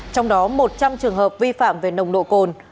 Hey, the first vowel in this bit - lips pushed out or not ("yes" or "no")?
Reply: yes